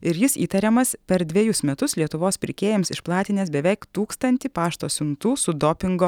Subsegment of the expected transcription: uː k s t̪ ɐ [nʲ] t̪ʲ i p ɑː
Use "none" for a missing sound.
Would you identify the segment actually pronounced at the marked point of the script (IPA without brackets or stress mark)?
nʲ